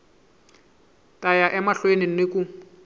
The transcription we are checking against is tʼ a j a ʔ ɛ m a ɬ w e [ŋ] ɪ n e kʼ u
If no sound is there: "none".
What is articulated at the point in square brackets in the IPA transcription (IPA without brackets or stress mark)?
n